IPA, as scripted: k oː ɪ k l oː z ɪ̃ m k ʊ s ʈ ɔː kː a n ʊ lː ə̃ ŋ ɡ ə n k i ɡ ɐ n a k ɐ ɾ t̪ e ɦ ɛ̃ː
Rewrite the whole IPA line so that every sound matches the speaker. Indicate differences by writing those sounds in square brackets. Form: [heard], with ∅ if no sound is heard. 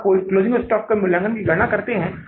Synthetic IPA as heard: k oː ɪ k l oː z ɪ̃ [ŋ] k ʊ s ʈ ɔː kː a [m] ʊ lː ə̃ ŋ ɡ ə n k i ɡ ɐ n a k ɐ ɾ t̪ e ɦ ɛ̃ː

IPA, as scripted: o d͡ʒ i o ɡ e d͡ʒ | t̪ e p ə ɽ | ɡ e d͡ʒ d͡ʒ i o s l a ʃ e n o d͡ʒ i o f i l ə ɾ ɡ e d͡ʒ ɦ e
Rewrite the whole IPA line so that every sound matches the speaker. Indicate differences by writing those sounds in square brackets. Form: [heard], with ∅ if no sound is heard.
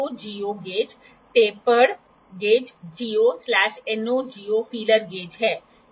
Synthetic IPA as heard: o d͡ʒ i o ɡ e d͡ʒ | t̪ e p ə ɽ | ɡ e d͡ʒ d͡ʒ i o s l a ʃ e n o d͡ʒ i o f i l ə ɾ ɡ e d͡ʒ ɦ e

